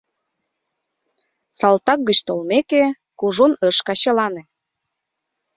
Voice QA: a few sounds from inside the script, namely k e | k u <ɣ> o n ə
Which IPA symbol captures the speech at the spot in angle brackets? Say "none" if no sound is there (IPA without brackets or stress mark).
ʒ